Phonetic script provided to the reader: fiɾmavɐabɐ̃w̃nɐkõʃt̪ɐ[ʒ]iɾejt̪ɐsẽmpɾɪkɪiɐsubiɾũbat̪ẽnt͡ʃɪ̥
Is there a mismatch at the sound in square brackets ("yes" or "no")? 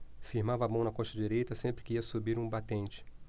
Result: yes